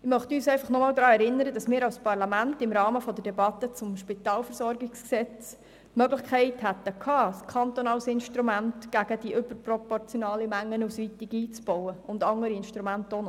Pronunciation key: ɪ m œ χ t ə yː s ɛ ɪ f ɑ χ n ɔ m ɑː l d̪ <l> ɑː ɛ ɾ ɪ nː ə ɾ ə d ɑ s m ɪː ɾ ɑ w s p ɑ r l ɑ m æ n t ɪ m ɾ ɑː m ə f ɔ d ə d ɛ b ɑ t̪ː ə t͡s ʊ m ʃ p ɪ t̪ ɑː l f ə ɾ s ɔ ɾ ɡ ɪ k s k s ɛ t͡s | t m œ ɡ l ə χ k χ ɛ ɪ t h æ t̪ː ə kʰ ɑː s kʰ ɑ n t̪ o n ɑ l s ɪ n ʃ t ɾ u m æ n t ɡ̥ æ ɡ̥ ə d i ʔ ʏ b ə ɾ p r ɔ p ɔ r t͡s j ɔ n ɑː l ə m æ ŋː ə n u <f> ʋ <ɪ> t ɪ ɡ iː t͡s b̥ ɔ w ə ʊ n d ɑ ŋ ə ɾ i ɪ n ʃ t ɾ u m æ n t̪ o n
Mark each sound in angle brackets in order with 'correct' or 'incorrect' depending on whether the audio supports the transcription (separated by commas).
incorrect, incorrect, incorrect